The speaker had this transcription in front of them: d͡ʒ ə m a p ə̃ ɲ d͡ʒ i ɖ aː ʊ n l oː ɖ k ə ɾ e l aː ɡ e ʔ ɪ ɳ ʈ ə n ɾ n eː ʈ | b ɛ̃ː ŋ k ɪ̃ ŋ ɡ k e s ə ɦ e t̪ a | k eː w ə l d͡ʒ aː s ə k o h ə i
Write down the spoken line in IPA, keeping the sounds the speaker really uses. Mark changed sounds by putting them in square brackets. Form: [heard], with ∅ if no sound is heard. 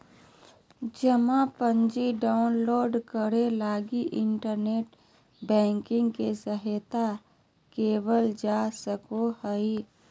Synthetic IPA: d͡ʒ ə m a p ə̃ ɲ d͡ʒ i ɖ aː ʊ n l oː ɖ k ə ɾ e l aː ɡ [i] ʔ ɪ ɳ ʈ ə [∅] ɾ n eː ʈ | b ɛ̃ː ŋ k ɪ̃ ŋ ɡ k e s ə ɦ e t̪ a | k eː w ə l d͡ʒ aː s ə k o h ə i